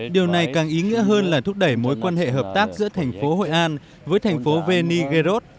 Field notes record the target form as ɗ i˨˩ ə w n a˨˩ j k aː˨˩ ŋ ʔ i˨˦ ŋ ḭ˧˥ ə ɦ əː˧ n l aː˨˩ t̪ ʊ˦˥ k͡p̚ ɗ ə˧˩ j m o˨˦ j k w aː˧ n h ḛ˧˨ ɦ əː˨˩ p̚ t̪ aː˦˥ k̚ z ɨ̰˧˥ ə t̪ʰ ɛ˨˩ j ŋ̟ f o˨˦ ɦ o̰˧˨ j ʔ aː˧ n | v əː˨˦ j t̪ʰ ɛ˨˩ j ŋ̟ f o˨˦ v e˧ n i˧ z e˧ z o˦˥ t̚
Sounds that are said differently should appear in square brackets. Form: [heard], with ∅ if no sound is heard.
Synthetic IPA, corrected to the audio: ɗ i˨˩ ə w n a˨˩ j k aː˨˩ ŋ ʔ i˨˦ ŋ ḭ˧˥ ə ɦ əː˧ n l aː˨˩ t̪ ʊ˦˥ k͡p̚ ɗ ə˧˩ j m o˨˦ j k w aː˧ n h ḛ˧˨ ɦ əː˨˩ p̚ t̪ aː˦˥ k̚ z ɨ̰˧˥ ə t̪ʰ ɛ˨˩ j ŋ̟ f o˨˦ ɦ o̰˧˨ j ʔ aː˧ n | v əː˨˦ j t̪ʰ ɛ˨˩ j ŋ̟ f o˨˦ v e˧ n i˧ [ɣ] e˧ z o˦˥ t̚